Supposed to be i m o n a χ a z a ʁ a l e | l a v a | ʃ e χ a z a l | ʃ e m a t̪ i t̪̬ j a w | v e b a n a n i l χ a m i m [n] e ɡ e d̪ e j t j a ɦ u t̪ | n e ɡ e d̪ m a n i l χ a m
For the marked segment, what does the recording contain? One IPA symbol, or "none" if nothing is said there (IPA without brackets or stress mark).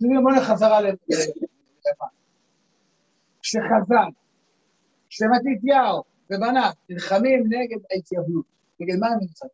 n